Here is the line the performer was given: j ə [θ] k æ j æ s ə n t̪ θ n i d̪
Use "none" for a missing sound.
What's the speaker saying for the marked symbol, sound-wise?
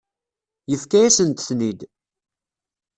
f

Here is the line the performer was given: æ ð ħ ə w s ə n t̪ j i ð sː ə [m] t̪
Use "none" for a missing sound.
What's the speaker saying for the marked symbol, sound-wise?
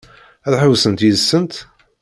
n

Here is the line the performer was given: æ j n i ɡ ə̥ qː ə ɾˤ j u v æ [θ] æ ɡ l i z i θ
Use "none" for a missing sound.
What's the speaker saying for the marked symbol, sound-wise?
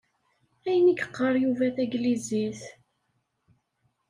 θ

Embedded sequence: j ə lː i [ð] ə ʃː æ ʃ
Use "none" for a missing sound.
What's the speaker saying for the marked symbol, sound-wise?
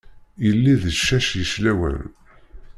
ð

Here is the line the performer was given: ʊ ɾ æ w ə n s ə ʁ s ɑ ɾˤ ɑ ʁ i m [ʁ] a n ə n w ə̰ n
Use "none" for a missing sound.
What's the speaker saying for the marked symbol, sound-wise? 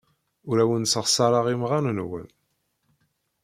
ʁ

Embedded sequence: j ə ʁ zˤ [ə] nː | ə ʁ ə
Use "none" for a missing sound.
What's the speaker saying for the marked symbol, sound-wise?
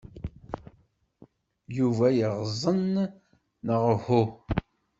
ə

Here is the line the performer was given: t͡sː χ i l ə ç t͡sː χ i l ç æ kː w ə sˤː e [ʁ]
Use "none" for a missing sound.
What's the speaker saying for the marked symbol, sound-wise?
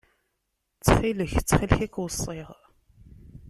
ʁ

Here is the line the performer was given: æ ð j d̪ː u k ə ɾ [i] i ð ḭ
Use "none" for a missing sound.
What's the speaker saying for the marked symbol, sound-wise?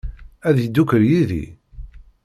j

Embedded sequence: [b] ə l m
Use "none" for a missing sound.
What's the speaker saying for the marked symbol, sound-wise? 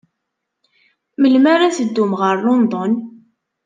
m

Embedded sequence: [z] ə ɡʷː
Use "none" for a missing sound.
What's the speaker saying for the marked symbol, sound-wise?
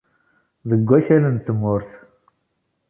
ð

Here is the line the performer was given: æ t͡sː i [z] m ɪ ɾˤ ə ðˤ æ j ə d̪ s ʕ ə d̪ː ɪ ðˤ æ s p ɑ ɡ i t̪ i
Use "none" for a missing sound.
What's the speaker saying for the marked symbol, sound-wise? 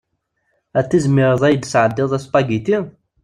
z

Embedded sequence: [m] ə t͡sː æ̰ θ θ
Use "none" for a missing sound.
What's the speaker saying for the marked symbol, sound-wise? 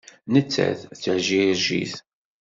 n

